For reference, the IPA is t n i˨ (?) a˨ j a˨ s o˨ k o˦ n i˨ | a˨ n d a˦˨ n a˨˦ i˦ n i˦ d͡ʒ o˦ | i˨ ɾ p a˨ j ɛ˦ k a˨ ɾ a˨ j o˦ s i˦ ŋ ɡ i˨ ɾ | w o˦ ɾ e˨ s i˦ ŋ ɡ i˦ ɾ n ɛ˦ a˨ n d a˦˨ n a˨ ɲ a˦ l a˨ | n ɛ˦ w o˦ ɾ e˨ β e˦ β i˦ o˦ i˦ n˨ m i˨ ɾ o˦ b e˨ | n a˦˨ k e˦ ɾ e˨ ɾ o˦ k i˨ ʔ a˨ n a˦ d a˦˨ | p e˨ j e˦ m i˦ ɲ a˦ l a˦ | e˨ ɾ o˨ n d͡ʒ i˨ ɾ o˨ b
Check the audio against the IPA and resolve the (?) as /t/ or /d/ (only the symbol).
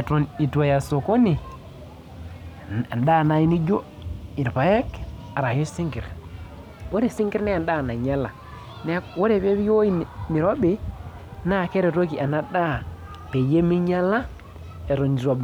t